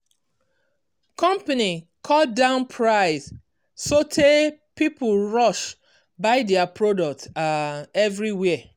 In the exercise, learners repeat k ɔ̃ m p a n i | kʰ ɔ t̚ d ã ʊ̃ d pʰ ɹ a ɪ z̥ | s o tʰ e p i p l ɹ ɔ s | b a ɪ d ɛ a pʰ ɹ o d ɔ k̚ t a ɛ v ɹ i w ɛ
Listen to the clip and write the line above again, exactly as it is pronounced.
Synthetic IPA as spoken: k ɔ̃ m p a n i | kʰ ɔ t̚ d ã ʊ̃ n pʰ ɹ a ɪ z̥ | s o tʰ e p i p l ɹ ɔ ʃ | b a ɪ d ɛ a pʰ ɹ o d ɔ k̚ t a ɛ v ɹ i w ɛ